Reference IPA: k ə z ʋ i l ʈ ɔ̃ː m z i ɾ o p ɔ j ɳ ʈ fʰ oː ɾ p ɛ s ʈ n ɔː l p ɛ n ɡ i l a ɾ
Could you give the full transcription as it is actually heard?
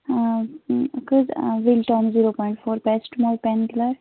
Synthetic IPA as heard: k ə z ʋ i l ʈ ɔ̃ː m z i ɾ o p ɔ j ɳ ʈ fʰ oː ɾ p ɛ s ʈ m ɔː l p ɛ n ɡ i l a ɾ